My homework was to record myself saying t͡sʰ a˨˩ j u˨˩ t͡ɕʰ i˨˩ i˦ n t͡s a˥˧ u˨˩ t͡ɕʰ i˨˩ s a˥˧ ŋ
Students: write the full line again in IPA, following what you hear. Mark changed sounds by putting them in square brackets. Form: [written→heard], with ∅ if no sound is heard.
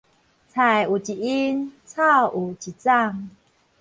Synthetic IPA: t͡sʰ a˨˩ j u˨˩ [t͡ɕʰ→t͡ɕ] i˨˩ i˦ n [t͡s→t͡sʰ] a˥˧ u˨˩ [t͡ɕʰ→t͡ɕ] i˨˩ [s→t͡s] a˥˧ ŋ